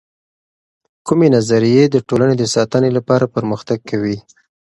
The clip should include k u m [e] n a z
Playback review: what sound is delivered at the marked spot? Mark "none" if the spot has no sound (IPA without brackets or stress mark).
e